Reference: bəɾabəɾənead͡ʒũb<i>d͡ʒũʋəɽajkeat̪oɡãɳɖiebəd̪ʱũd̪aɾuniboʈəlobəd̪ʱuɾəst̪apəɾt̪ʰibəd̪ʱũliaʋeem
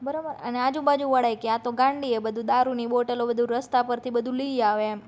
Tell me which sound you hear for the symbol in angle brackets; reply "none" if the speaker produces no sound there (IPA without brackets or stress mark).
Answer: a